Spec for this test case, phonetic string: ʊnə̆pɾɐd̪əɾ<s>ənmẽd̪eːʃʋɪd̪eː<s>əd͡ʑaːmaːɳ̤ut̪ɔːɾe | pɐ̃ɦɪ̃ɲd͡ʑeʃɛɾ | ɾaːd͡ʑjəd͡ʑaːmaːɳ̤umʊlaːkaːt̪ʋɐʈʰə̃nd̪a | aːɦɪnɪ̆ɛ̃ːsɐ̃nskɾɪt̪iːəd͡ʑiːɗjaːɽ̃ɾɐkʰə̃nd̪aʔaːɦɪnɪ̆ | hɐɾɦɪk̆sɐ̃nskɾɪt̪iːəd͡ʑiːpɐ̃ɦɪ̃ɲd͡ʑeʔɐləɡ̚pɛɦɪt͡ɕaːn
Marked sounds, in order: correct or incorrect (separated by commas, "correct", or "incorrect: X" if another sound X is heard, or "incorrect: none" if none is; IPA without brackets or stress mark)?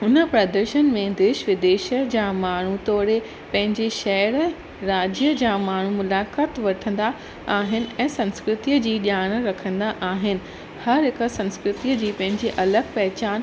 incorrect: ʃ, incorrect: ʃ